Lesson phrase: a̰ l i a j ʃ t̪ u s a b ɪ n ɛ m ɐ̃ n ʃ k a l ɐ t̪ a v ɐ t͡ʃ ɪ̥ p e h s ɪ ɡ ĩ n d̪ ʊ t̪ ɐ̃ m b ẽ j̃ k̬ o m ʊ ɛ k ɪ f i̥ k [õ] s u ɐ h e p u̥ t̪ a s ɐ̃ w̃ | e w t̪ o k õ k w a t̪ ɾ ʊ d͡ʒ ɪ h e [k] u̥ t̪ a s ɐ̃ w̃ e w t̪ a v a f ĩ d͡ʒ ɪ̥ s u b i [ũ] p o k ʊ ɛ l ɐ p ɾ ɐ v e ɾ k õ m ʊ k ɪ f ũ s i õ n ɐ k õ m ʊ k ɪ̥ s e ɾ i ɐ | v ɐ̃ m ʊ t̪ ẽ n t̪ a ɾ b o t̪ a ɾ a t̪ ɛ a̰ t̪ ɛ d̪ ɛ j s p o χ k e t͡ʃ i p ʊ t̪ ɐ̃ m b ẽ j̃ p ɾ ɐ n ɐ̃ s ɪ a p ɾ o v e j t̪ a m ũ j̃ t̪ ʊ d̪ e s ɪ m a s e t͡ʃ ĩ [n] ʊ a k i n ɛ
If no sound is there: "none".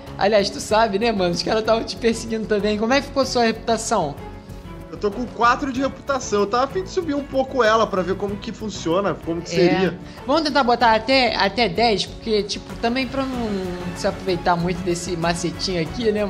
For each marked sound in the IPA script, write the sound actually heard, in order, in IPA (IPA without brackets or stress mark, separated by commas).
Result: o, p, ũ, ɲ